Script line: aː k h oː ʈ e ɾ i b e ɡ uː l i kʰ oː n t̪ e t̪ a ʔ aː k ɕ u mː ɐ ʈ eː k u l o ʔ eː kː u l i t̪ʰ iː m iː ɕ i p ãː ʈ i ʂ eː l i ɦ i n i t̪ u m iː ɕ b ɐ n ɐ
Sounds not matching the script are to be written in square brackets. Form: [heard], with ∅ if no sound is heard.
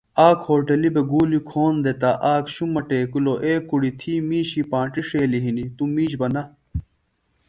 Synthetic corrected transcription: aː k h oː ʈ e [l] i b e ɡ uː l i kʰ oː n [d̪] e t̪ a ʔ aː k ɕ u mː ɐ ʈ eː k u l o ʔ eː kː u [ɽ] i t̪ʰ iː m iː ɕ i p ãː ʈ i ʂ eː l i ɦ i n i t̪ u m iː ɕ b ɐ n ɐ